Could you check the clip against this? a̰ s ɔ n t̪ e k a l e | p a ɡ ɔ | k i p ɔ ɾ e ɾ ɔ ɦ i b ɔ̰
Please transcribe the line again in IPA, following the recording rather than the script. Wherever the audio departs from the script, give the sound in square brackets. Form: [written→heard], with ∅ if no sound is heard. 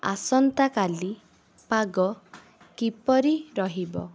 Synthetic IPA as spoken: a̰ s ɔ n t̪ [e→a] k a l [e→i] | p a ɡ ɔ | k i p ɔ ɾ [e→i] ɾ ɔ ɦ i b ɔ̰